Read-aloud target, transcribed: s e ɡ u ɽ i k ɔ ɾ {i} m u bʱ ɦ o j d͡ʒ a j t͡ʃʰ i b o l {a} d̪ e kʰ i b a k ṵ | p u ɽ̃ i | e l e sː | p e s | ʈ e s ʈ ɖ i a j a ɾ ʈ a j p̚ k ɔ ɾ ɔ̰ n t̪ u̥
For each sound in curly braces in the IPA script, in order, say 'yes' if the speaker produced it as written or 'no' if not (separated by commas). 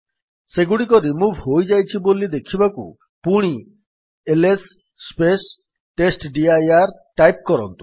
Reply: yes, no